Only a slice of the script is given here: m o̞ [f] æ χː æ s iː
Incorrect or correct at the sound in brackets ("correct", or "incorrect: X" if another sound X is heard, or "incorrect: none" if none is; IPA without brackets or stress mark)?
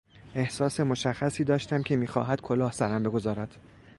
incorrect: ʃ